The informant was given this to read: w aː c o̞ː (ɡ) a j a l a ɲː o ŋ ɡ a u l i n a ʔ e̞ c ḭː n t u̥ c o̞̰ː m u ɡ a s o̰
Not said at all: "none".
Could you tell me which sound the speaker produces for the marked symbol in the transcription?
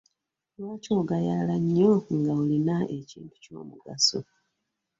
ɡ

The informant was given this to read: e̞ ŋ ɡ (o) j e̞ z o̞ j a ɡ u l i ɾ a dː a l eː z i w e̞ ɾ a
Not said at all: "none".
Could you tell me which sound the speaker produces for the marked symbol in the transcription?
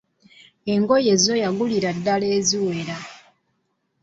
o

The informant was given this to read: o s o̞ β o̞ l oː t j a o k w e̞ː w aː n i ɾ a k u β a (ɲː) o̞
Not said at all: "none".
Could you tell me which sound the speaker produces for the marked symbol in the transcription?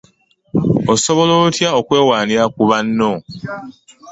nː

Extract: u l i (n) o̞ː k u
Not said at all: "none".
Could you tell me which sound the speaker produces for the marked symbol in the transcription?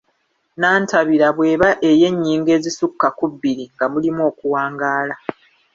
m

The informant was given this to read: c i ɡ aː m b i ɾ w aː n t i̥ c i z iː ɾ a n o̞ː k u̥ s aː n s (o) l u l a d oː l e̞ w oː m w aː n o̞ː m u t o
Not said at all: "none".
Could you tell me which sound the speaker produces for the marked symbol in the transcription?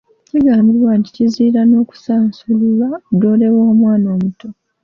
u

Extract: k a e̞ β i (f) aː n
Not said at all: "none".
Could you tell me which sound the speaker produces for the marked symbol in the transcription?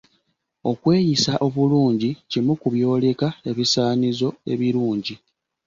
s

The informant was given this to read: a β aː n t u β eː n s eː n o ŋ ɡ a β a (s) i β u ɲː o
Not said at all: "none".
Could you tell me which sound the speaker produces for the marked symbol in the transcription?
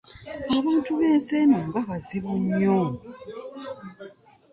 z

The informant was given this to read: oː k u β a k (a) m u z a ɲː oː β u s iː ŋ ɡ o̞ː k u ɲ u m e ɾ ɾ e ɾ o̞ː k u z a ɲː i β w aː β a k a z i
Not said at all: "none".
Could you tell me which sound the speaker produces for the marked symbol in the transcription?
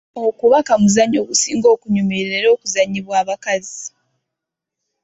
a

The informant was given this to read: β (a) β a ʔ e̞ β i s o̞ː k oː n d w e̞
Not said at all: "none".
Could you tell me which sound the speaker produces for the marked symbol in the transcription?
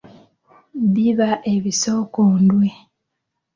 i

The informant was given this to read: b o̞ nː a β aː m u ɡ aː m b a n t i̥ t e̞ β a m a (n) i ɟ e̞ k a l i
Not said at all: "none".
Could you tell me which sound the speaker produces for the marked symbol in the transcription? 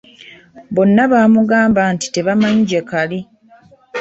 ɲ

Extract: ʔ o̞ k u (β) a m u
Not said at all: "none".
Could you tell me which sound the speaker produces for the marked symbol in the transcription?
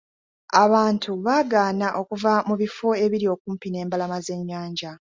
v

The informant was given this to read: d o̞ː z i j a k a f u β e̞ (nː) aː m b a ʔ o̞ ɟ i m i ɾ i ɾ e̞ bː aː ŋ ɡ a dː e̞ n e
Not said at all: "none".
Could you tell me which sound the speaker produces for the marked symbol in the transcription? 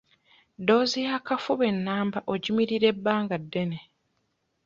nː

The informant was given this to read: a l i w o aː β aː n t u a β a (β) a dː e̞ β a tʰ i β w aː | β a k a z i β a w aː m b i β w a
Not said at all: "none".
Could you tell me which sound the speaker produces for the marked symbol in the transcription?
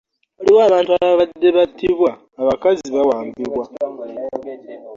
β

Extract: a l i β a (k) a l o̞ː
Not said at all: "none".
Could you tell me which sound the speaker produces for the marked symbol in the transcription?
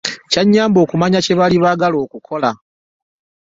ɡ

